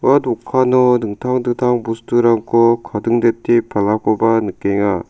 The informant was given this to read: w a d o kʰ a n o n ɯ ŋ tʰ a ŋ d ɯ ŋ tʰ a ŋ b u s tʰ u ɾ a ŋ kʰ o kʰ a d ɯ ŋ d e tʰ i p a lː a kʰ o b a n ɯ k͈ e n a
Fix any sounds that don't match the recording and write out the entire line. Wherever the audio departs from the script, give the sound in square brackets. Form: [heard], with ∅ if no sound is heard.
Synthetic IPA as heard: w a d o kʰ a n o n ɯ ŋ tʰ a ŋ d ɯ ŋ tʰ a ŋ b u s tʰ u ɾ a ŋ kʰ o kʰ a d ɯ ŋ d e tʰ i p a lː a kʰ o b a n ɯ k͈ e [ŋ] a